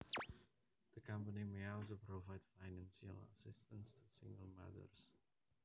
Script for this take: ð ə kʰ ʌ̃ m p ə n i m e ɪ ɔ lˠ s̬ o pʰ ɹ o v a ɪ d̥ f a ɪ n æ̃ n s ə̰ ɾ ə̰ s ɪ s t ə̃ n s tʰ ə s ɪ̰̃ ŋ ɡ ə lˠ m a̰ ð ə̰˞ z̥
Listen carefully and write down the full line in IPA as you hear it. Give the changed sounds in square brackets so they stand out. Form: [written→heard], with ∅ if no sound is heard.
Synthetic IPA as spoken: ð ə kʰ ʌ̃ m p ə n i m e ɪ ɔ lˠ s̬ o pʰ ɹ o v a ɪ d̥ f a ɪ n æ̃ n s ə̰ [ɾ→l] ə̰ s ɪ s t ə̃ n s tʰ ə s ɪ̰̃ ŋ ɡ ə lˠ m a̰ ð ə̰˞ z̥